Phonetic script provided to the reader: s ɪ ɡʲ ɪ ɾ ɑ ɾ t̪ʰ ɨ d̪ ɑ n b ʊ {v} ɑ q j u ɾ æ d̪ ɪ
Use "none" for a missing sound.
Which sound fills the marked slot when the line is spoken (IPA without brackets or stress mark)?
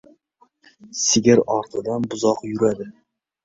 z